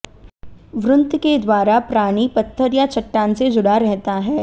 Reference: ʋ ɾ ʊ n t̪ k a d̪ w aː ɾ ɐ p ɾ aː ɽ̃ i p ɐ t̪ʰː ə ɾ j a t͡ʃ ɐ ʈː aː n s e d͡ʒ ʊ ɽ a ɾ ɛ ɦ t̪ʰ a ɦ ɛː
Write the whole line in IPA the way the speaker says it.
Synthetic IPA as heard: ʋ ɾ ʊ n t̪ k e d̪ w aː ɾ a p ɾ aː ɽ̃ i p ɐ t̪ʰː ə ɾ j a t͡ʃ ɐ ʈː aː n s e d͡ʒ ʊ ɽ a ɾ ɛ ɦ t̪ a ɦ ɛː